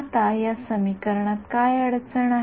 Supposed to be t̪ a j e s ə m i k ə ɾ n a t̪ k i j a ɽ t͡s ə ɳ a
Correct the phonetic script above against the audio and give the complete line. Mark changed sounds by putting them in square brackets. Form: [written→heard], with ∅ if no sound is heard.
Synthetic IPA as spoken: t̪ a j [e→a] s ə m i k ə ɾ [n→ɳ] a t̪ k [i→a] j [a→ə] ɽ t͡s ə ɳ a